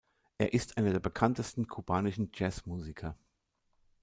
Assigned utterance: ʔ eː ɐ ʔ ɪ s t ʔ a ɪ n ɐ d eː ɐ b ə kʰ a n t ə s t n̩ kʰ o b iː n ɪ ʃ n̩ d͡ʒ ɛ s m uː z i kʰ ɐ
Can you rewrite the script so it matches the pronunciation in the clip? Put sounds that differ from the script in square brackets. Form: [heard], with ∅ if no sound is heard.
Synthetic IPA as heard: ʔ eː ɐ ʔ ɪ s t ʔ a ɪ n ɐ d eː ɐ b ə kʰ a n t ə s t n̩ kʰ [u] b [aː] n ɪ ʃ n̩ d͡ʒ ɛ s m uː z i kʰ ɐ